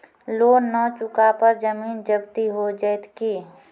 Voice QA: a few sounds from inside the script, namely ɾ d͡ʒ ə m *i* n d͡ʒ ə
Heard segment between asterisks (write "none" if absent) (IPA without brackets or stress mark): iː